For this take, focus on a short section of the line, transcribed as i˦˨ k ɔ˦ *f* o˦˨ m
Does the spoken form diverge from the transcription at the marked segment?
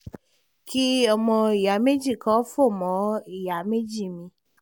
no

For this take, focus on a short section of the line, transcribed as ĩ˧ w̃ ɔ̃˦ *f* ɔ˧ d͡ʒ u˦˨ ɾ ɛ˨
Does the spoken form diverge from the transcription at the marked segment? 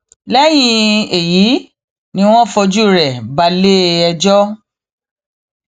no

